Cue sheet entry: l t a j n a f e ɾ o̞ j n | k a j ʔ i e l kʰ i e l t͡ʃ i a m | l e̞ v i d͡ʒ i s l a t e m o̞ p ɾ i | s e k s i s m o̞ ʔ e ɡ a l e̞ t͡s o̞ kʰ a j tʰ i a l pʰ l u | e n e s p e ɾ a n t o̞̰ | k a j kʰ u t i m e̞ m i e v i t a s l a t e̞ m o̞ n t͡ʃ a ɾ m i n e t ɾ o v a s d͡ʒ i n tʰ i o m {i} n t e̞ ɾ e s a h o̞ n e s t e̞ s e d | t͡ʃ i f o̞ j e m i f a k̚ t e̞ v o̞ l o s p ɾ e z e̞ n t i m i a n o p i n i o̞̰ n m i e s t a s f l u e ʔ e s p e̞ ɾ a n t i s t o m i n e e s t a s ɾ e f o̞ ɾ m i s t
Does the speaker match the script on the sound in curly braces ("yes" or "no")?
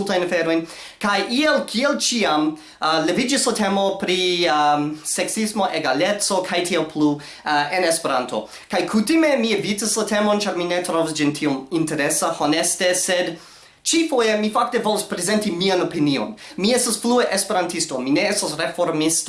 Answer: yes